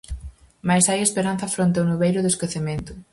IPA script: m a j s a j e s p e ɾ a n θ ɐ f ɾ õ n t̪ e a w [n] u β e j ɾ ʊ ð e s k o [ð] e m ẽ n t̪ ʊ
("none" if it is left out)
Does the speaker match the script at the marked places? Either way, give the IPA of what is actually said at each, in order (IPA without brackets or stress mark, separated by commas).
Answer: n, θ